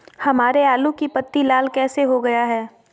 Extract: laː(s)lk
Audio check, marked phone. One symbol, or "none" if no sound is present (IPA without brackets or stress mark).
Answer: none